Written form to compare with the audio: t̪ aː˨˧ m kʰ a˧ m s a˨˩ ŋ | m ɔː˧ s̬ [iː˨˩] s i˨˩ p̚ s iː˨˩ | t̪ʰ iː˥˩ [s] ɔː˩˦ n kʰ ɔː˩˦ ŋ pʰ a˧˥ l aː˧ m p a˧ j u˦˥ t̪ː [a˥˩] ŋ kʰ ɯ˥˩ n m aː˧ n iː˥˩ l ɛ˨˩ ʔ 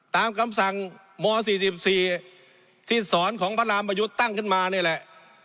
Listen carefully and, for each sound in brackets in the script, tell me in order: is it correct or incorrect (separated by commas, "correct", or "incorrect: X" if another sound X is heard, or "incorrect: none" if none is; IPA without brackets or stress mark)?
correct, correct, correct